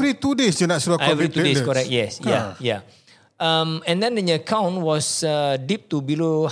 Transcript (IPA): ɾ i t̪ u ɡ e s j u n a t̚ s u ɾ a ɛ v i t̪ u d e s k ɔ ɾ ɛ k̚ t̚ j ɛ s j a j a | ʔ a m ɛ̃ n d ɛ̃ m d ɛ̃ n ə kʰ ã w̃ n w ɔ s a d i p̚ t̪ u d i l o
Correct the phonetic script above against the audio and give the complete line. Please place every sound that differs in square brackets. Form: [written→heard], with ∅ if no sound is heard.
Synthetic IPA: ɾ i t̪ u [ɡ→d] e s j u n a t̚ s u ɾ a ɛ v i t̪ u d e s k ɔ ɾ ɛ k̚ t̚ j ɛ s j a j a | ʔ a m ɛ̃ n d ɛ̃ [m→n] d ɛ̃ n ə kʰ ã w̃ n w ɔ s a d i p̚ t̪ u [d→b] i l o